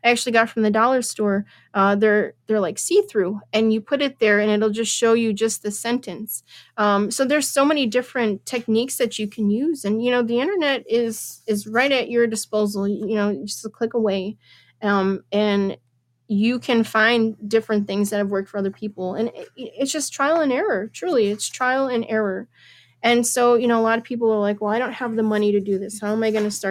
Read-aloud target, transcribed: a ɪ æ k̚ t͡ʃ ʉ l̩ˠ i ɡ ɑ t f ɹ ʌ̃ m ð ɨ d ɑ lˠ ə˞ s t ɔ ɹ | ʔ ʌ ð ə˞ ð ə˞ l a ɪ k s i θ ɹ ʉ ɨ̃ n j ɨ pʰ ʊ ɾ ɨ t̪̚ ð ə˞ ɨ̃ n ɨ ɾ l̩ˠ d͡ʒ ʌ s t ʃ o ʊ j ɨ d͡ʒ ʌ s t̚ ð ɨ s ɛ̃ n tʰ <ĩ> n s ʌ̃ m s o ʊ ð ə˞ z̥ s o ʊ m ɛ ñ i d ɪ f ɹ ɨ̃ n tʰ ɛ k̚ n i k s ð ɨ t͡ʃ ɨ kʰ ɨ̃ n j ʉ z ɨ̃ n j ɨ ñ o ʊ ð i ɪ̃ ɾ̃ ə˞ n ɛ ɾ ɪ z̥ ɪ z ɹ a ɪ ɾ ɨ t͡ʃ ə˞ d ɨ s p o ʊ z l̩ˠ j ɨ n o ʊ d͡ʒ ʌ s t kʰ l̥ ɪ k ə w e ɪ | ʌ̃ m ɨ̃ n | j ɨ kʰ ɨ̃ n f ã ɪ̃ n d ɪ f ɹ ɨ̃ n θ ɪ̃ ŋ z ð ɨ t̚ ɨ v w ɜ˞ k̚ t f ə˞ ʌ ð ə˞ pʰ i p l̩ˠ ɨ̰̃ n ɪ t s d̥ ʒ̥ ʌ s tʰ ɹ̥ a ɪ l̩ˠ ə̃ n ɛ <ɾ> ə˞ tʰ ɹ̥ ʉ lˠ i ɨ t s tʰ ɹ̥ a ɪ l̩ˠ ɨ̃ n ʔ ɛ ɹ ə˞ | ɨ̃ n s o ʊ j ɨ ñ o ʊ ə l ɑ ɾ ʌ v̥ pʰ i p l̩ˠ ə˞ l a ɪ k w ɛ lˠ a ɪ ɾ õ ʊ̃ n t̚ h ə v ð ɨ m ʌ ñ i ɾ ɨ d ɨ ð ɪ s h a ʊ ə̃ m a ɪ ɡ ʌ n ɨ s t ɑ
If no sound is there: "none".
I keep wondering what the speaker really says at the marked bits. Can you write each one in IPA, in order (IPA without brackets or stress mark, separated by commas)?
ɨ̃, ɹ